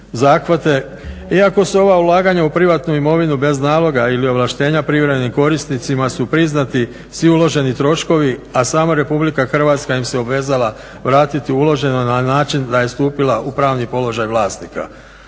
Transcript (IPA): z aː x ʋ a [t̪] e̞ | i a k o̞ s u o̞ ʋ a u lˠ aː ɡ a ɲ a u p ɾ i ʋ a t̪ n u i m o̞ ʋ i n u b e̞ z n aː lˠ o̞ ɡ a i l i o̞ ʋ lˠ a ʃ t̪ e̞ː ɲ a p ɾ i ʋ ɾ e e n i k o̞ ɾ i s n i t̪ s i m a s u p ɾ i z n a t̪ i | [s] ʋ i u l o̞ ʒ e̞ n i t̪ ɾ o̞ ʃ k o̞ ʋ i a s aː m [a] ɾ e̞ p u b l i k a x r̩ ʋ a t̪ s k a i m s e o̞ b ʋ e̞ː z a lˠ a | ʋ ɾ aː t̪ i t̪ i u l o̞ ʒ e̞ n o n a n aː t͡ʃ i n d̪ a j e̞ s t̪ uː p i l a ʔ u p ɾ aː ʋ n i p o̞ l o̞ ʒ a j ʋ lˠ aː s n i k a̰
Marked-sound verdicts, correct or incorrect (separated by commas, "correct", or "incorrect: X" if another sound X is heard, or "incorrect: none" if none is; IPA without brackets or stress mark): correct, correct, correct